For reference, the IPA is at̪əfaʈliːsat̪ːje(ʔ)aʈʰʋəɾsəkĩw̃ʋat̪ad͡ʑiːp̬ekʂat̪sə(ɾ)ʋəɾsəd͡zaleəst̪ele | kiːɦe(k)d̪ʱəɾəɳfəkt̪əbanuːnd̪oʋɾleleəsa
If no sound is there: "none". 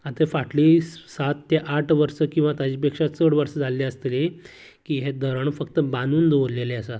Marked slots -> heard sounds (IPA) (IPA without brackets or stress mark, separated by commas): ʔ, ɽ, none